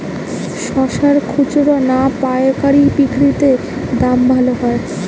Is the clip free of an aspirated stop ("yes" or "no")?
no